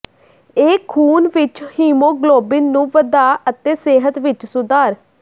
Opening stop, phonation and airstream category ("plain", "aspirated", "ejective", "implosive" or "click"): aspirated